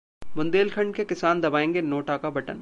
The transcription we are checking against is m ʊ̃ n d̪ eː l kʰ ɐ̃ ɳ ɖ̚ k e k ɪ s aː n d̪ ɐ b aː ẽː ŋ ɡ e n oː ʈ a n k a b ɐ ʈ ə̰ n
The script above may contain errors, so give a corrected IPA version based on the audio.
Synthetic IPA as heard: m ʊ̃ n d̪ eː l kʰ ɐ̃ ɳ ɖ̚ k e k ɪ s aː n d̪ ɐ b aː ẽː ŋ ɡ e n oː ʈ a k a b ɐ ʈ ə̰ n